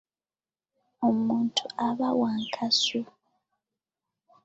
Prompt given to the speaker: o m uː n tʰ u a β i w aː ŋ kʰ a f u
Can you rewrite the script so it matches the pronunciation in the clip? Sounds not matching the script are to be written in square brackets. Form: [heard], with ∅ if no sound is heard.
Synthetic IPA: o m uː n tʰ u a β [a] w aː ŋ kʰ a [s] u